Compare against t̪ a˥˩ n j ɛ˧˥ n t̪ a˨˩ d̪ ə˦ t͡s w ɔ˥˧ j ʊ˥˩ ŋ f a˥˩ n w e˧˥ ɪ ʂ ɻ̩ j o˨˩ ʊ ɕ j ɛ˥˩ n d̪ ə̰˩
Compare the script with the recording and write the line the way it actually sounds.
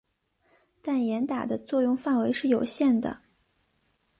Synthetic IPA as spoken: t̪ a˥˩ n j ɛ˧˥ n t̪ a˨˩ d̪ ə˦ t͡s w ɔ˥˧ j ʊ˥˧ ŋ f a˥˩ n w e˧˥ ɪ ʂ ɻ̩ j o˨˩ ʊ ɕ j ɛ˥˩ n d̪ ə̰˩